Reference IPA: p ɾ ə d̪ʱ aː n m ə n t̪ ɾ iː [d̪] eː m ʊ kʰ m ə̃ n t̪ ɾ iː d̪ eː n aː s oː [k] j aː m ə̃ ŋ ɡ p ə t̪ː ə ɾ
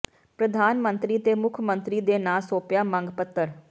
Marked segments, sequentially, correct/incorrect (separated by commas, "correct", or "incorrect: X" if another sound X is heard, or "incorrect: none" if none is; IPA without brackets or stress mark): incorrect: t̪, incorrect: p